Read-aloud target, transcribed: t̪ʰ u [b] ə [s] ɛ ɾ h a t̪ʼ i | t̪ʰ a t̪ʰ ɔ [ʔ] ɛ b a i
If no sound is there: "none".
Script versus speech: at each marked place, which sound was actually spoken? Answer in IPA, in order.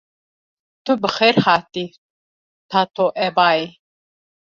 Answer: b, χ, ʔ

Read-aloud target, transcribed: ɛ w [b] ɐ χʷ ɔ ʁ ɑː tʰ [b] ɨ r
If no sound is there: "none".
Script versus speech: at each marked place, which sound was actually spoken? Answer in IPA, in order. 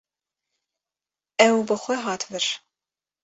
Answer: b, v

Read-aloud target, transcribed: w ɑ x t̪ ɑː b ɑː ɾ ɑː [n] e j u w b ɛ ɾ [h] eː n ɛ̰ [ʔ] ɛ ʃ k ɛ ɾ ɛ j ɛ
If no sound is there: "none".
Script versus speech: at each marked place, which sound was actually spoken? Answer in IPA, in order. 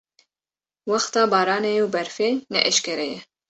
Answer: n, f, ʔ

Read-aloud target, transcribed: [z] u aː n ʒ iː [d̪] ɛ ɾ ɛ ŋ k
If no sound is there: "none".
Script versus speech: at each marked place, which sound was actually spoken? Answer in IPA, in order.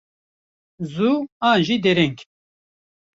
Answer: z, d̪

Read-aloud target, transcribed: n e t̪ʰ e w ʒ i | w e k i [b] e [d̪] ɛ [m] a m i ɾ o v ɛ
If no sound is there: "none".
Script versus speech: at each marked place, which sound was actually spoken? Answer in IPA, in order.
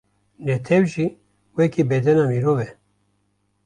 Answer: b, d̪, n

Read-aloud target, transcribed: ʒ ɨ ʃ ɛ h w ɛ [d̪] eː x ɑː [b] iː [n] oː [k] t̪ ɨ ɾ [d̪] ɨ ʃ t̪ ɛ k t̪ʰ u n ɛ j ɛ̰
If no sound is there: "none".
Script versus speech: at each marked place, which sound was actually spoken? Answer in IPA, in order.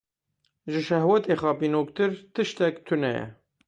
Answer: t̪, p, n, k, t̪

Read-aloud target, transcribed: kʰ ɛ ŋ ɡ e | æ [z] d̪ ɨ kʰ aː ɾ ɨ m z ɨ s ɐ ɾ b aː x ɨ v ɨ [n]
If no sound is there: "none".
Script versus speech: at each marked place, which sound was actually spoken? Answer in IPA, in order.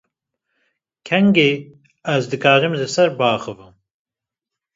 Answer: z, m

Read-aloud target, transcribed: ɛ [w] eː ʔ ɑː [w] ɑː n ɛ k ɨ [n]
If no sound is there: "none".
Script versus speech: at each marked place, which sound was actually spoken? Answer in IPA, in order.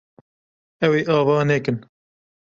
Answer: w, v, n

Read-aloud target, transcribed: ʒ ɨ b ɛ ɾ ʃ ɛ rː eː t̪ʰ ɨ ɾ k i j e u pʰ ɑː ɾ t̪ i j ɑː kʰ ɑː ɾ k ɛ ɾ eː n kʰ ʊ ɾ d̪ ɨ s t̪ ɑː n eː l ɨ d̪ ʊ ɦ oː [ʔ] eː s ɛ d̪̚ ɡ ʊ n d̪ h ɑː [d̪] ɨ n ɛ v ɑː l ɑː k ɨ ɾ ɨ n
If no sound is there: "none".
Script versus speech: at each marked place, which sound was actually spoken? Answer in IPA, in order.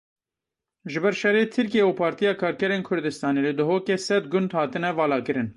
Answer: k, t̪

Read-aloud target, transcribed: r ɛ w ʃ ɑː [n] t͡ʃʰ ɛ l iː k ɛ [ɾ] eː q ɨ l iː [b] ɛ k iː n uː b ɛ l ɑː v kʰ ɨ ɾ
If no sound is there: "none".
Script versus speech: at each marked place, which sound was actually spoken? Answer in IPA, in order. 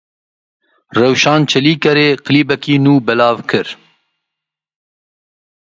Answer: n, ɾ, b

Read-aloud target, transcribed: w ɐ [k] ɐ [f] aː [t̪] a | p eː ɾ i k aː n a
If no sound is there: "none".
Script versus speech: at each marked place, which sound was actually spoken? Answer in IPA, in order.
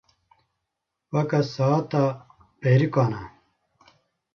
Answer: k, s, t̪

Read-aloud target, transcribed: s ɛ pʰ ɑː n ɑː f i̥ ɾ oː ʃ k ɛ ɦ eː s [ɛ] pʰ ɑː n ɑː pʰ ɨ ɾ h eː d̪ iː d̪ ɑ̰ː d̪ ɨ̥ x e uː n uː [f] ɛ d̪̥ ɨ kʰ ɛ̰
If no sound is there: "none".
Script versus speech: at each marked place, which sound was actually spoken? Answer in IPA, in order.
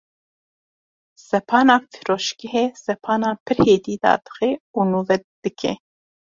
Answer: ɛ, v

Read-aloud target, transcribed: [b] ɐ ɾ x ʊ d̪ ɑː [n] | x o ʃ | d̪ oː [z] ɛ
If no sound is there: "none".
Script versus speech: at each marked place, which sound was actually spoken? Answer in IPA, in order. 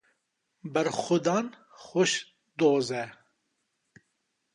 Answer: b, n, z

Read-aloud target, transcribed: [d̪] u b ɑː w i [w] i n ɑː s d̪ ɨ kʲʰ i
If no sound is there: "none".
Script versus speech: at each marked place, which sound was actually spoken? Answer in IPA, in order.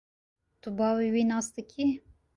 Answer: t̪, w

